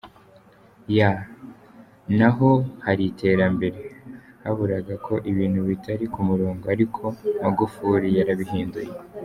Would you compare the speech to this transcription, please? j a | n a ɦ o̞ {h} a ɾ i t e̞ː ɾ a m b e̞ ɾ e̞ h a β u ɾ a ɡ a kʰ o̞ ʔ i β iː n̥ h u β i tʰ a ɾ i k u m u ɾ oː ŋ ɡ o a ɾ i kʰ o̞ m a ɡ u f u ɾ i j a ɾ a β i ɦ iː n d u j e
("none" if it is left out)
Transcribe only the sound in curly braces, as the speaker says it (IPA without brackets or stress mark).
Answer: h